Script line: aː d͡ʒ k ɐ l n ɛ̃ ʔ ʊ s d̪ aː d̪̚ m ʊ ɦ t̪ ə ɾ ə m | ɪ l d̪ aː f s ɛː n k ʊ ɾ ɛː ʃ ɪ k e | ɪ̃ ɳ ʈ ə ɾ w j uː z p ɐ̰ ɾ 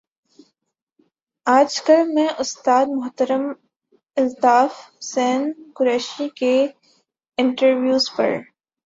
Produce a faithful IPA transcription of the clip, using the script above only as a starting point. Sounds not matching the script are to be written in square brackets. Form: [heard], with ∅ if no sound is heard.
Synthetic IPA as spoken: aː d͡ʒ k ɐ l [m] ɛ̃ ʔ ʊ s [t̪] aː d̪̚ m ʊ ɦ t̪ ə ɾ ə m | ɪ l [t̪] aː f s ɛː n k ʊ ɾ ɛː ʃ [i] k e | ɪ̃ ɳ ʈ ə ɾ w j uː z p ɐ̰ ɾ